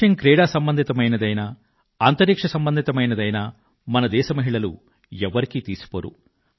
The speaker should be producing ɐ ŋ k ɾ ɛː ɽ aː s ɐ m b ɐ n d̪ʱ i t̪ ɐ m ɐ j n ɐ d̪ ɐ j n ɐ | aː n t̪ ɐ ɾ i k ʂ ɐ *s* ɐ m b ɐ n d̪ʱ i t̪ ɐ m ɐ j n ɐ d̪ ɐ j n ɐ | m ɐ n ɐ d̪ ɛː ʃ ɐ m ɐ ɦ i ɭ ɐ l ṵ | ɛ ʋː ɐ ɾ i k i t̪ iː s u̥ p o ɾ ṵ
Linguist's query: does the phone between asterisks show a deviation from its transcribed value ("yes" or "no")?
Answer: no